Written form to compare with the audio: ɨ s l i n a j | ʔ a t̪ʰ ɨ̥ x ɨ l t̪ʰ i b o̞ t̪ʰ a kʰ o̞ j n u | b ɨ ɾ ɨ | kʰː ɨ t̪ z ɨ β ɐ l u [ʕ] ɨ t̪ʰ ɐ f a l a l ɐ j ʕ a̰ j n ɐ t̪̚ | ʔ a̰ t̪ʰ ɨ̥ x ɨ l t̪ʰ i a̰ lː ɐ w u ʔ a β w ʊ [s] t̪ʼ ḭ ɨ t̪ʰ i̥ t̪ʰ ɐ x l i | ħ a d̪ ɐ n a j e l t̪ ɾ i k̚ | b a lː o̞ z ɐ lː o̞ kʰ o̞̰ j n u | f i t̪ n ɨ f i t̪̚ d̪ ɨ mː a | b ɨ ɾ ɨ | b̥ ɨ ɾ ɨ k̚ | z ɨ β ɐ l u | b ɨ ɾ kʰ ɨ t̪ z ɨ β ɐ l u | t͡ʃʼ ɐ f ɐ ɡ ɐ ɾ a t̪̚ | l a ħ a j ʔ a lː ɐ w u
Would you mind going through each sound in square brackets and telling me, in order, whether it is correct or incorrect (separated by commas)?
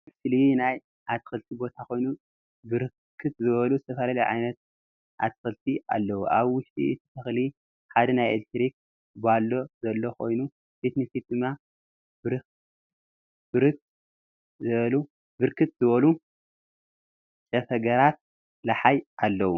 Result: incorrect, incorrect